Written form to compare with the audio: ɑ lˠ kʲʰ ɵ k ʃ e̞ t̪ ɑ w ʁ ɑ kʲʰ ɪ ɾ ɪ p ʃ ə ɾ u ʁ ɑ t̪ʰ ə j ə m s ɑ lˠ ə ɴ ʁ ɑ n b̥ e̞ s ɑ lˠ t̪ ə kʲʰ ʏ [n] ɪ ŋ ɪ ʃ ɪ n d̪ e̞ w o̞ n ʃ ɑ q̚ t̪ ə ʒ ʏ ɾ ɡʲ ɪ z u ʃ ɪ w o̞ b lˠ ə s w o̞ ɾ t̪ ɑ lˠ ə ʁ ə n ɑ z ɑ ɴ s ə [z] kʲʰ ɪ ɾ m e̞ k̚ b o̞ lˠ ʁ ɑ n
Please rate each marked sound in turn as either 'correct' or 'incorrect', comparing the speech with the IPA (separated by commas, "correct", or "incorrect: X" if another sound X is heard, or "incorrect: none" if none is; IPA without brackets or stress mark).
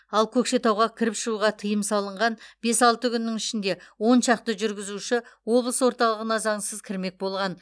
incorrect: nː, correct